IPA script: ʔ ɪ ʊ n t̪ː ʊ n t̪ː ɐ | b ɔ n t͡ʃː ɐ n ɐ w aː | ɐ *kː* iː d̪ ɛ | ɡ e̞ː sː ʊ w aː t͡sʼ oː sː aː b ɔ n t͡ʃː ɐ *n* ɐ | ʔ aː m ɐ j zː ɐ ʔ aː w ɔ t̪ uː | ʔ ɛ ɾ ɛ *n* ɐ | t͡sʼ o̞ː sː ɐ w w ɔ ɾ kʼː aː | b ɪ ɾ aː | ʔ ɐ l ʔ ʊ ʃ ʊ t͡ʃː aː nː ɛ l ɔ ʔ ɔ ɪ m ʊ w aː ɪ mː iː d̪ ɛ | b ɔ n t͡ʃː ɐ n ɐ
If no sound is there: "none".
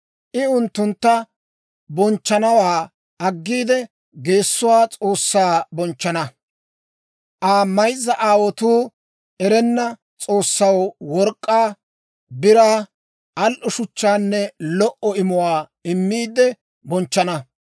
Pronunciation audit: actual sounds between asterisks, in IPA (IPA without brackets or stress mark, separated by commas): ɡː, n, nː